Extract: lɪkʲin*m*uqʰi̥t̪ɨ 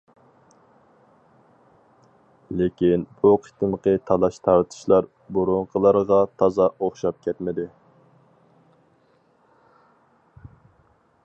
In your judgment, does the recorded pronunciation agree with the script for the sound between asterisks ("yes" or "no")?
no